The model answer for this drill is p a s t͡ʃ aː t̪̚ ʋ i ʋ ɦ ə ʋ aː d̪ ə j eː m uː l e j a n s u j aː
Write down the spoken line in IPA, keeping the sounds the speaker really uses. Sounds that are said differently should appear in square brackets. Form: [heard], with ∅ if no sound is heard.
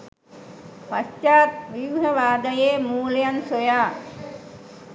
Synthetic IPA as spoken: p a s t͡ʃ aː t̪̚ ʋ i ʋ ɦ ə ʋ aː d̪ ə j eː m uː l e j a n s [o] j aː